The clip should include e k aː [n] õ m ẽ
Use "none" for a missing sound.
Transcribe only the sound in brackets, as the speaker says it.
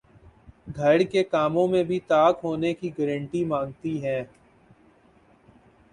m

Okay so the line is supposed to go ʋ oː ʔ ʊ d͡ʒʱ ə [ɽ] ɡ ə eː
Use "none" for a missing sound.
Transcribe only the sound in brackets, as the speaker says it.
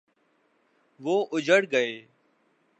ɽ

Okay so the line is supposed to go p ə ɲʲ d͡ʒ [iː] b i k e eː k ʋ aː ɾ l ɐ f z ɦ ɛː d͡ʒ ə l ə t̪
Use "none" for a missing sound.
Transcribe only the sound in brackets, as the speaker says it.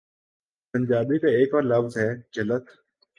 aː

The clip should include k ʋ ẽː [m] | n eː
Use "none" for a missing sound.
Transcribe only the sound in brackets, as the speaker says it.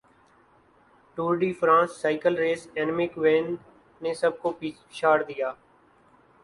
n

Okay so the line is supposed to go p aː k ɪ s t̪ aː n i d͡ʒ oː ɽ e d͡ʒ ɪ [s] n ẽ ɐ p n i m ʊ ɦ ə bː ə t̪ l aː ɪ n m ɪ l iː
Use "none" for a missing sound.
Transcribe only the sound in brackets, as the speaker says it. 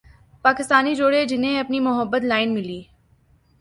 none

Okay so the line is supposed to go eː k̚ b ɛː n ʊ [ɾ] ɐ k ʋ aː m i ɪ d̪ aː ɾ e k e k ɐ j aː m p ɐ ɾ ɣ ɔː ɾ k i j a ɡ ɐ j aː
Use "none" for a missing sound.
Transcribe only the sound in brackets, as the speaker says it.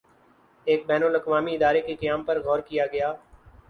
l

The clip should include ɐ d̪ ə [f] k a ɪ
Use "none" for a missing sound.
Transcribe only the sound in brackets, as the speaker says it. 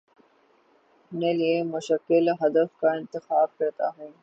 f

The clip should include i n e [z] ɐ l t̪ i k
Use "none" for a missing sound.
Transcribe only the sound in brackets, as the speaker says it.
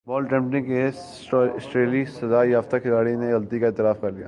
ɣ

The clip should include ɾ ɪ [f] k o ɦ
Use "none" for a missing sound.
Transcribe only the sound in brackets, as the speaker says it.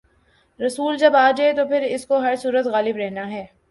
s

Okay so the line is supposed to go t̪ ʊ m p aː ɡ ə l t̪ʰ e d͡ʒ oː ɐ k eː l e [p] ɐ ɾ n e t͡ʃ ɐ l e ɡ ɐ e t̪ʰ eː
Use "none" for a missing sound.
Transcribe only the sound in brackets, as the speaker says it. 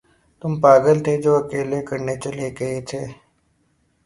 k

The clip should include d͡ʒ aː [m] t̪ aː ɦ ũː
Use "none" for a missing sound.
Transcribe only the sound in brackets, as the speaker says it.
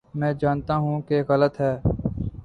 n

